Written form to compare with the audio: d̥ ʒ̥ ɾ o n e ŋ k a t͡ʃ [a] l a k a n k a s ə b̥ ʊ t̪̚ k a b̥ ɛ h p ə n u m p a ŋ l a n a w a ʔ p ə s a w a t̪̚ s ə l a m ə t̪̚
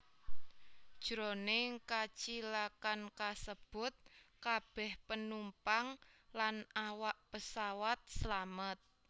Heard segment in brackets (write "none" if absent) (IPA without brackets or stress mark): i